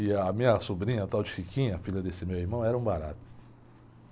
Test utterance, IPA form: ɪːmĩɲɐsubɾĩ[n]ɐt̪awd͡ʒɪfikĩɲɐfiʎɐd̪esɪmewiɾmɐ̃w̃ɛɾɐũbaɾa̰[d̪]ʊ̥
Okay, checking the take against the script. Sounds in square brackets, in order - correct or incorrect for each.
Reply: incorrect, incorrect

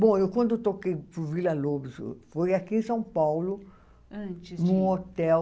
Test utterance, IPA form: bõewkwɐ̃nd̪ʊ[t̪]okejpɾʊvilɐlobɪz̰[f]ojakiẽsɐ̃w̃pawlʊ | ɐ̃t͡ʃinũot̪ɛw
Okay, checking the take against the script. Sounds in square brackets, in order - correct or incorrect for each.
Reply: correct, correct

